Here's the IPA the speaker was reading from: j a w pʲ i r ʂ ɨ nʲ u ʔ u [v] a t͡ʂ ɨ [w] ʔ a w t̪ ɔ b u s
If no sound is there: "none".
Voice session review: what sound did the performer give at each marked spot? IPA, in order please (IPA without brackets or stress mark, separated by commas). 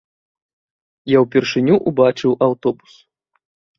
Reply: b, w